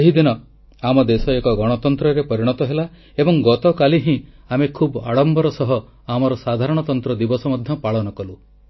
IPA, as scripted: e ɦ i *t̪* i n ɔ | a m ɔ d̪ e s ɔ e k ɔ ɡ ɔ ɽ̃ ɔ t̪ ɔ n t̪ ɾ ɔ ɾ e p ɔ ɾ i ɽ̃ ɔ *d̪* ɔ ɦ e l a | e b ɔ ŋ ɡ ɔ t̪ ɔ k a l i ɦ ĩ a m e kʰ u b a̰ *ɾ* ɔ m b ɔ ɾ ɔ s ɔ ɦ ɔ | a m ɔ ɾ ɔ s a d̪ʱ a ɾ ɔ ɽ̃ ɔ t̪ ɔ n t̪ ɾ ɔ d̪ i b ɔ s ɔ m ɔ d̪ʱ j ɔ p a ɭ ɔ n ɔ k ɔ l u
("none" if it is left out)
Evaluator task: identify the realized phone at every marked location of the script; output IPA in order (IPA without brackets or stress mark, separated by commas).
d̪, t̪, ɽ